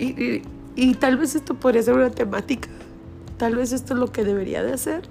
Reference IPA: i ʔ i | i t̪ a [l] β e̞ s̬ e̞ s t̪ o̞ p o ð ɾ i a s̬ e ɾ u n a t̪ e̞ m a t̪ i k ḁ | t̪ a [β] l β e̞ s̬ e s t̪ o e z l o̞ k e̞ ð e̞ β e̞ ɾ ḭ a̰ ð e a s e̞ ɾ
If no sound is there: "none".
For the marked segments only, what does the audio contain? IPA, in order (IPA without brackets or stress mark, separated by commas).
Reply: l, none